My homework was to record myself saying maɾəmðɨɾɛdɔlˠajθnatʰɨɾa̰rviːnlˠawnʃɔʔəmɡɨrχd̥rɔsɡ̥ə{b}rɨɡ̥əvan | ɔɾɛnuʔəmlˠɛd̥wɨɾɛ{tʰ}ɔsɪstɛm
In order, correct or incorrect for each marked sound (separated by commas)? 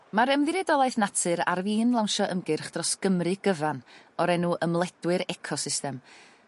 incorrect, incorrect